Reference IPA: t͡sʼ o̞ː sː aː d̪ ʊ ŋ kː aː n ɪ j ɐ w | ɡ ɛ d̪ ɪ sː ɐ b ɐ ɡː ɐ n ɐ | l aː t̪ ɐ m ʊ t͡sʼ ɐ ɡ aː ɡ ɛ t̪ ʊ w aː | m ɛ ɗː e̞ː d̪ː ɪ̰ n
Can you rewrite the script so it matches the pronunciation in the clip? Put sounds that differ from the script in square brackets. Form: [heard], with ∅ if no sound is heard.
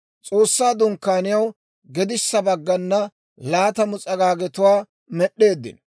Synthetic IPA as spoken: t͡sʼ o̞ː sː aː d̪ ʊ ŋ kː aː n ɪ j ɐ w | ɡ ɛ d̪ ɪ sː ɐ b ɐ ɡː ɐ [nː] ɐ | l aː t̪ ɐ m ʊ t͡sʼ ɐ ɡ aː ɡ ɛ t̪ ʊ w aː | m ɛ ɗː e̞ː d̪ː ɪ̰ n